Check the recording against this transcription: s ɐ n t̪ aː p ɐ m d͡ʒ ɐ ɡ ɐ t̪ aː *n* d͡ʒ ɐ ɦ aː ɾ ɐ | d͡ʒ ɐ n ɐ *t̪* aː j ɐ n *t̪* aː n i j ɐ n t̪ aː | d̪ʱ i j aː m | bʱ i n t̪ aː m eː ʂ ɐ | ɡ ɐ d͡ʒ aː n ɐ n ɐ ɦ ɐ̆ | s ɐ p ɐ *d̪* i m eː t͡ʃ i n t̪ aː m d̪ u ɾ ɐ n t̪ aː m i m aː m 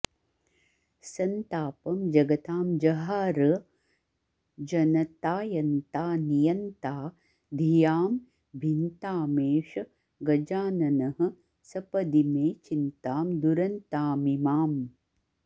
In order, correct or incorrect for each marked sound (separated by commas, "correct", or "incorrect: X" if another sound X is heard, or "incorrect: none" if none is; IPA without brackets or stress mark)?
incorrect: m, correct, correct, correct